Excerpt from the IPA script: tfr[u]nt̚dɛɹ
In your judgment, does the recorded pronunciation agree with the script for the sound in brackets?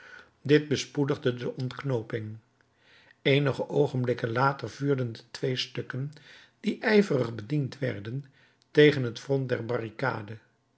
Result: no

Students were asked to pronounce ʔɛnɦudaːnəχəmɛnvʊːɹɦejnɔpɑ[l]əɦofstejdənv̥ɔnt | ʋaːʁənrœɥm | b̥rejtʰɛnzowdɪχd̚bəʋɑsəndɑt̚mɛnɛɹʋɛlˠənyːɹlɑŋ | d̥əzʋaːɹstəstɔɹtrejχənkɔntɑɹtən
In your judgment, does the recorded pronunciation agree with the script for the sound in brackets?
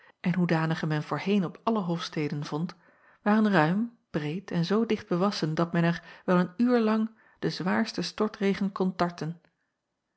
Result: yes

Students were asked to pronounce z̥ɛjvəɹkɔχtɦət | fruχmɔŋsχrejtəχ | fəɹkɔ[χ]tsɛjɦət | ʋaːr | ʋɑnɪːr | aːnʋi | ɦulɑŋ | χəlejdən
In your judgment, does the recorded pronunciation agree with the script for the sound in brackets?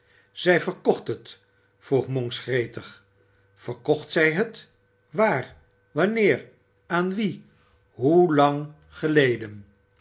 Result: yes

